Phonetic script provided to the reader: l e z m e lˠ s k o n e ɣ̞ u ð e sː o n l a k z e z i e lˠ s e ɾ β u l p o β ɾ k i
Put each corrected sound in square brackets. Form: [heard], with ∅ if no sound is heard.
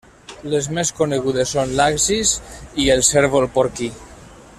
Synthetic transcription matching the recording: l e z m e [∅] s k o n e ɣ̞ u ð e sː o n l a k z [i] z i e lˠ s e ɾ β [o] l p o [∅] ɾ k i